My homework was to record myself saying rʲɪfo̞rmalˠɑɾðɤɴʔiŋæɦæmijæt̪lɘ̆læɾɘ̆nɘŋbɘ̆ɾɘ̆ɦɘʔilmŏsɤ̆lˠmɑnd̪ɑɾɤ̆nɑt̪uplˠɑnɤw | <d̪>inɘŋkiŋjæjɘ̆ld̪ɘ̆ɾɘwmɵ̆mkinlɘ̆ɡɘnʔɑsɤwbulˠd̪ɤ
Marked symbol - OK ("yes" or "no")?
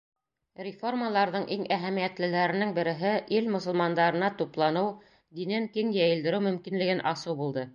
yes